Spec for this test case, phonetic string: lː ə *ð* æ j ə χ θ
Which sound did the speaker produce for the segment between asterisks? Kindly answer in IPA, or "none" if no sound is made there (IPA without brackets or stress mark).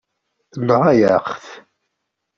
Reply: ʁ